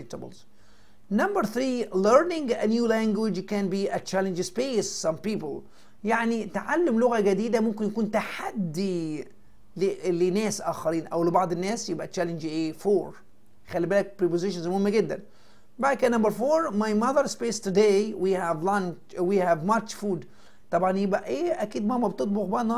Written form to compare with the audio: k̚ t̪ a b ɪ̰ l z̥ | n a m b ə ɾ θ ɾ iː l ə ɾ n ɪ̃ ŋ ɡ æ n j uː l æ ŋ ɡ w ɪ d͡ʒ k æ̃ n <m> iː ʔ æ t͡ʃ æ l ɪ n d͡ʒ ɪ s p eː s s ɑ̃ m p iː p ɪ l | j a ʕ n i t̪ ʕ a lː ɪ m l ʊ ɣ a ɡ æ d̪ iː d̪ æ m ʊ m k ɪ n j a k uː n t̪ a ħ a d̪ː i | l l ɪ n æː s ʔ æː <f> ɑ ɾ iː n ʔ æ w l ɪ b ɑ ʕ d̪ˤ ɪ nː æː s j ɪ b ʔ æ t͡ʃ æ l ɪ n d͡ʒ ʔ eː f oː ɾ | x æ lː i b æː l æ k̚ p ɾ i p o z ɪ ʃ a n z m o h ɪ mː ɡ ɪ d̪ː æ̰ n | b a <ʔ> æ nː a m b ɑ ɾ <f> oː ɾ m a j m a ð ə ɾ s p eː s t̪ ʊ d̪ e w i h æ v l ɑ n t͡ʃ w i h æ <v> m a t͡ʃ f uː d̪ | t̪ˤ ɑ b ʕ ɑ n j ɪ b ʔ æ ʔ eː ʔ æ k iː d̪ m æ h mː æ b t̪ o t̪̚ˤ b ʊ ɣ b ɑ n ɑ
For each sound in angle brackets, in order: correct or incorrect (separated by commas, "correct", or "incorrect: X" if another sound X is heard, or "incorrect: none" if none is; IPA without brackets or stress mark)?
incorrect: b, incorrect: x, incorrect: k, correct, correct